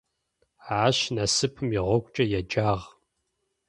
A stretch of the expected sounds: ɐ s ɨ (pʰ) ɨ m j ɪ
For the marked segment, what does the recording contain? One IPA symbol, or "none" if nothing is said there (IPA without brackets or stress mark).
pʰ